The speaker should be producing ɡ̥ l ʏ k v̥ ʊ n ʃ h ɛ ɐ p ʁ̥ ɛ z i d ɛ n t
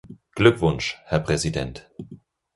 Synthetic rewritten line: ɡ̥ l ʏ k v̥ ʊ n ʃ h ɛ ɐ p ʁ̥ ɛ z i d ɛ n t